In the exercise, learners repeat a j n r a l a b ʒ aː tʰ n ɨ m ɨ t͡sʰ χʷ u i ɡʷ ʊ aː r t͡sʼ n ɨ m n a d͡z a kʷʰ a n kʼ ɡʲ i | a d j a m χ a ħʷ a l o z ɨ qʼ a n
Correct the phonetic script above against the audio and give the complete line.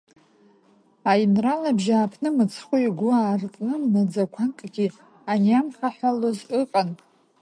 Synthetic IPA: a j n r a l a b ʒ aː pʰ n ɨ m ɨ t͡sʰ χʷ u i ɡʷ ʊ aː r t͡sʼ n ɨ m n a d͡z a kʷʰ a n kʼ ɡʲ i | a n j a m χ a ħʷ a l o z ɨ qʼ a n